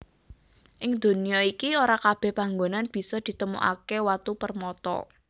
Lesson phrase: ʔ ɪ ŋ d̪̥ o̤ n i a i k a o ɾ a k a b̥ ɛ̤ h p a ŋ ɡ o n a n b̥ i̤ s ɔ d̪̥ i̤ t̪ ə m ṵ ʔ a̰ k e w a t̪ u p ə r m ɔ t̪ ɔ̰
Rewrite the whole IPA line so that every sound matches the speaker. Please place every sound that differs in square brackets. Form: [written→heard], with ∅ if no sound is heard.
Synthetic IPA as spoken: ʔ ɪ ŋ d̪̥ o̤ n i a i k [a→i] o ɾ a k a b̥ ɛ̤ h p a ŋ ɡ o n a n b̥ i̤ s ɔ d̪̥ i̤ t̪ ə m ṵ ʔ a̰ k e w a t̪ u p ə r m ɔ t̪ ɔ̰